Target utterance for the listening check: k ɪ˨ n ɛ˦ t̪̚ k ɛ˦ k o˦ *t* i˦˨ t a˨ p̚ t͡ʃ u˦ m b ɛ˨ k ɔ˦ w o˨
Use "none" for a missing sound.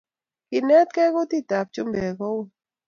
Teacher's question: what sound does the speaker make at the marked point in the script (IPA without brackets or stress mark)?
t